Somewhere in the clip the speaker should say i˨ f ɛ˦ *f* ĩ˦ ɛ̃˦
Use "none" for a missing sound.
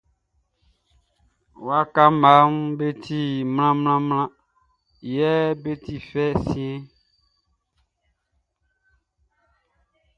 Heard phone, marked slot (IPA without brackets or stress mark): s